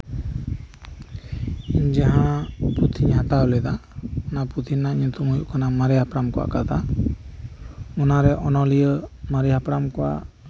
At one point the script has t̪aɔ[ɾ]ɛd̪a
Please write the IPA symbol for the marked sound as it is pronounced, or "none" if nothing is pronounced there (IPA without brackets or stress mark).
l